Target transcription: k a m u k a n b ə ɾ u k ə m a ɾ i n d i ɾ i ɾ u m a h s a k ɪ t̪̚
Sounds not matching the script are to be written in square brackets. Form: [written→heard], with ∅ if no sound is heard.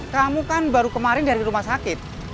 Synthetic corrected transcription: k a m u k a n b [ə→a] ɾ u k ə m a ɾ [i→ɪ] n d [i→a] ɾ i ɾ u m a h s a k ɪ t̪̚